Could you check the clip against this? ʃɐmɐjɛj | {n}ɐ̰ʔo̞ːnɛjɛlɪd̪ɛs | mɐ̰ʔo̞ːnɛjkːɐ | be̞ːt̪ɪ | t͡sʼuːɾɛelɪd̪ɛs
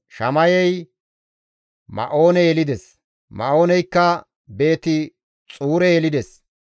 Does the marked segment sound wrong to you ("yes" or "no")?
yes